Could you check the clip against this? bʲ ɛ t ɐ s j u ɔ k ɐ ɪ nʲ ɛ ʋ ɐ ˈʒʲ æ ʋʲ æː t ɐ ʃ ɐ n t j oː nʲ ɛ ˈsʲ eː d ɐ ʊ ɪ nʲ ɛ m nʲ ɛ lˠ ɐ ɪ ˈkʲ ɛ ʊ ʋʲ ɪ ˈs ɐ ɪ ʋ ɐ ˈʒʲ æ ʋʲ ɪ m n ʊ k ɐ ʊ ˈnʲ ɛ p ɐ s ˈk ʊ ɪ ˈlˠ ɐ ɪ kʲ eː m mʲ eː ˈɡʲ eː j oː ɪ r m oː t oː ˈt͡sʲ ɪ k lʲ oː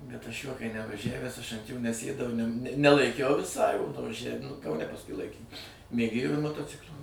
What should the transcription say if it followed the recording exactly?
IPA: bʲ ɛ t ɐ ʃ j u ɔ k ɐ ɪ nʲ ɛ ʋ ɐ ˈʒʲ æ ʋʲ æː s ɐ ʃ ɐ n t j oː nʲ ɛ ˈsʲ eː d ɐ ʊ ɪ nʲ ɛ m nʲ ɛ lˠ ɐ ɪ ˈkʲ ɛ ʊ ʋʲ ɪ ˈs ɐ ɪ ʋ ɐ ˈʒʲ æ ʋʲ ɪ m n ʊ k ɐ ʊ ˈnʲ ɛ p ɐ s ˈk ʊ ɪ ˈlˠ ɐ ɪ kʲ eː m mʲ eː ˈɡʲ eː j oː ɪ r m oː t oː ˈt͡sʲ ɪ k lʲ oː